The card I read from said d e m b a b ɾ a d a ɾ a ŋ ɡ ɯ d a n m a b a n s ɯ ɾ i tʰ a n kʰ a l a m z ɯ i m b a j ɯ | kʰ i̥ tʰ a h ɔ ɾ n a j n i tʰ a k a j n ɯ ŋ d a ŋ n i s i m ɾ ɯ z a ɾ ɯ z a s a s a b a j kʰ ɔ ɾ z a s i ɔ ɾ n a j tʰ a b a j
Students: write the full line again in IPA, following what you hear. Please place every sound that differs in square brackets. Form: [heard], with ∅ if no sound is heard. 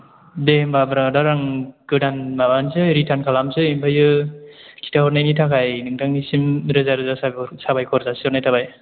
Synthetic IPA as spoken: d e m b a b ɾ a d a ɾ a ŋ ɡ ɯ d a n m a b a n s ɯ ɾ i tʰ a n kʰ a l a m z ɯ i m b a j ɯ | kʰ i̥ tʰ a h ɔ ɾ n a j n i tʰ a k a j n ɯ ŋ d a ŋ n i s i m ɾ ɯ z a ɾ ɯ z a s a s a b a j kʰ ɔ ɾ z a s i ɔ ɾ n a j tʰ a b a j